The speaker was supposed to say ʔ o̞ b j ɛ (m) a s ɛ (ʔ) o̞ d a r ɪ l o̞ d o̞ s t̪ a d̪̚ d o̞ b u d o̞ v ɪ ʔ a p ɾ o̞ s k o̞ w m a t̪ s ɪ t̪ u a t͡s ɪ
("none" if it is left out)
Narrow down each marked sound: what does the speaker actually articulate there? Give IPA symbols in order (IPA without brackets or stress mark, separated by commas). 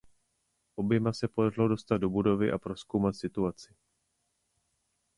m, p